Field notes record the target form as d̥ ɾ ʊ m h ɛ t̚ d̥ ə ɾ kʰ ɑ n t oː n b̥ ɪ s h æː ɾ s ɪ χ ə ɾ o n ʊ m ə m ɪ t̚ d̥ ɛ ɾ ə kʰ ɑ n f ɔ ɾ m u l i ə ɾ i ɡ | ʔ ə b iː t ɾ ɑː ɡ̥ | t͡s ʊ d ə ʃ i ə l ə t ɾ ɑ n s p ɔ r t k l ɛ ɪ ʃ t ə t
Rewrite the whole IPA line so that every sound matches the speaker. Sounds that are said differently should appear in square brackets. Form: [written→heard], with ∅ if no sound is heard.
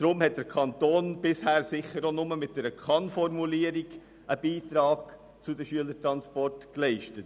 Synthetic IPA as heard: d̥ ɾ ʊ m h ɛ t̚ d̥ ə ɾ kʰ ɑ n t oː n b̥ ɪ s h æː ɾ s ɪ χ ə ɾ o n ʊ m ə m ɪ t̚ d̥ ɛ ɾ ə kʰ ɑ n f ɔ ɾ m u l i ə ɾ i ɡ | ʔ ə b iː t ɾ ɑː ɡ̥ | t͡s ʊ d ə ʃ [i→y] ə l ə t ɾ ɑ n s p ɔ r t k l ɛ ɪ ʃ t ə t